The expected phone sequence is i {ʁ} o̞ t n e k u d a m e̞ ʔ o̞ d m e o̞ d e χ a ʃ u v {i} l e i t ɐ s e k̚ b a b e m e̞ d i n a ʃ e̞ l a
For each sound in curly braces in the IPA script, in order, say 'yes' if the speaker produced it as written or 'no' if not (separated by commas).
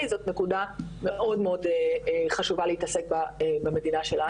no, no